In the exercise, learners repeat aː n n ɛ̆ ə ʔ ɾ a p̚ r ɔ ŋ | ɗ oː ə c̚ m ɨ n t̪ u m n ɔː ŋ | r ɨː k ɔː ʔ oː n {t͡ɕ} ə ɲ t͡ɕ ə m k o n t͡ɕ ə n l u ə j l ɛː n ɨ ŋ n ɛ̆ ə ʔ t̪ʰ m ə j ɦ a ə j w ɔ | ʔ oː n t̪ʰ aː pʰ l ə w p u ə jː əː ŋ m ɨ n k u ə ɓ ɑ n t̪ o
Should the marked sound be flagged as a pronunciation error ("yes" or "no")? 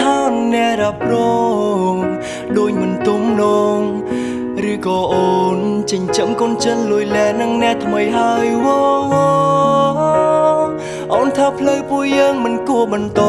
no